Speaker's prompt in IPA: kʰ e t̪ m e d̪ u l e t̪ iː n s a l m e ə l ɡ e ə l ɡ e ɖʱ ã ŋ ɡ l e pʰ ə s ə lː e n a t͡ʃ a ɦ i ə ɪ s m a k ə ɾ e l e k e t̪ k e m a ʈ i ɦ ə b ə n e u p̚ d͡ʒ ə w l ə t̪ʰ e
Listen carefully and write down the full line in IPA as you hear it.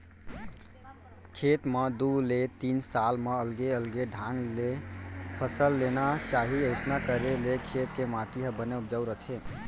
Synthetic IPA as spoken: kʰ e t̪ m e d̪ u l e t̪ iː n s a l m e ə l ɡ e ə l ɡ e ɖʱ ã ŋ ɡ l e pʰ ə s ə lː e n a t͡ʃ a ɦ i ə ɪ s n a k ə ɾ e l e kʰ e t̪ k e m a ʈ i ɦ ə b ə n e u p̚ d͡ʒ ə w ɾ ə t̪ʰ e